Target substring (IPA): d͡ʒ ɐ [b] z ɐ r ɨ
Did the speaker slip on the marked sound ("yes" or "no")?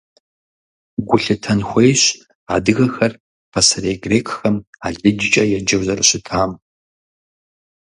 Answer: yes